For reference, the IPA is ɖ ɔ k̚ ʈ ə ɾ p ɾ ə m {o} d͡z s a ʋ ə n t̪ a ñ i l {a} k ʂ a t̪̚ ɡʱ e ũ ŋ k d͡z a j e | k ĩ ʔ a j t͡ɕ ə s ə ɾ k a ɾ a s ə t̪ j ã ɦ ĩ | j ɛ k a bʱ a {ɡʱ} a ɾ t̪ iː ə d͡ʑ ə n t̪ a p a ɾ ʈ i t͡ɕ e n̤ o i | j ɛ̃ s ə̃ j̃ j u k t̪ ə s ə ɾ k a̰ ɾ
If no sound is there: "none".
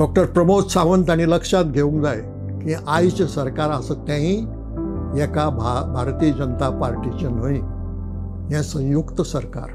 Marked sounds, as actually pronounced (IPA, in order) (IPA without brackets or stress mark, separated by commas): o, ə, bʱ